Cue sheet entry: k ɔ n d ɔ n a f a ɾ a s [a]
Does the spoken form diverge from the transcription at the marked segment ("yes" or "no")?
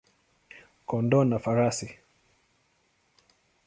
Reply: yes